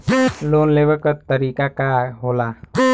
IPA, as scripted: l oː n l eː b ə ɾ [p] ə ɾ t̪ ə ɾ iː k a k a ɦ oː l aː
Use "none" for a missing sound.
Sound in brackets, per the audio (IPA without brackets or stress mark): k